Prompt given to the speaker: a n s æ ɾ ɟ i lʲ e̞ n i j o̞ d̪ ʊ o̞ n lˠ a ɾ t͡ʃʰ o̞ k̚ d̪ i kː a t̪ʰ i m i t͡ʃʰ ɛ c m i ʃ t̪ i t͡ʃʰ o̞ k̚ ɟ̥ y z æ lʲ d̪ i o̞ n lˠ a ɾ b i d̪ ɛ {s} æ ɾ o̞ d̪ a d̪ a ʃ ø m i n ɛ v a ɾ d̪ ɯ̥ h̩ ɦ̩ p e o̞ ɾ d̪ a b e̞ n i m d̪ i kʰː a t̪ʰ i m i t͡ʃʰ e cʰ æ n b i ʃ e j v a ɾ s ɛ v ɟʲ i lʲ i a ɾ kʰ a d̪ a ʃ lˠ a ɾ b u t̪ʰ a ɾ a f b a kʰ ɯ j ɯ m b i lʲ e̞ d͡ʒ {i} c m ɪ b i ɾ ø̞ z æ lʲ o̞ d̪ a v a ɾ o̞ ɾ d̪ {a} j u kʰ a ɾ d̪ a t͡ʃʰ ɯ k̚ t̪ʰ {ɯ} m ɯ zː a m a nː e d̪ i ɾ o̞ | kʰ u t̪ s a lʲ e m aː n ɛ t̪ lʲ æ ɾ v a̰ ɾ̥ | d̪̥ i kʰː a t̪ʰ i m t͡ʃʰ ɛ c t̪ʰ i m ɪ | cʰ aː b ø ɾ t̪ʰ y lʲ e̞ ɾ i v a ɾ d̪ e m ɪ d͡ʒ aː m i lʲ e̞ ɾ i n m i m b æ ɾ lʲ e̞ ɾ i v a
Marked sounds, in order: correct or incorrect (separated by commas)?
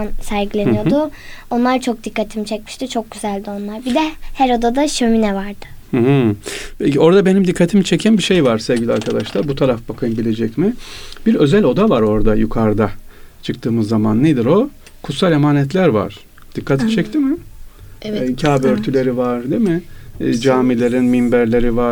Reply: incorrect, incorrect, correct, incorrect